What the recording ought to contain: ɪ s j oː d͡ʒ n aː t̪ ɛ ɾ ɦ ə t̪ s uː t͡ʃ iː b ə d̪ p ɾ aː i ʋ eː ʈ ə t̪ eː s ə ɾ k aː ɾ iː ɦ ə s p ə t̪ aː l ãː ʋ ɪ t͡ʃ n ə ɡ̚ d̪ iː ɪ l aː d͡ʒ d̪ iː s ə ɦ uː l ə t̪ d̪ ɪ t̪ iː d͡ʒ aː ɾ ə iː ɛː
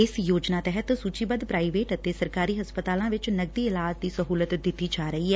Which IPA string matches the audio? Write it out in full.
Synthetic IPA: ɪ s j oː d͡ʒ n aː t̪ ɛ ɦ ə t̪ s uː t͡ʃ iː b ə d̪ p ɾ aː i ʋ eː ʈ ə t̪ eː s ə ɾ k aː ɾ iː ɦ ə s p ə t̪ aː l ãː ʋ ɪ t͡ʃ n ə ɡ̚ d̪ iː ɪ l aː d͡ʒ d̪ iː s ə ɦ uː l ə t̪ d̪ ɪ t̪ iː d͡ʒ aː ɾ ə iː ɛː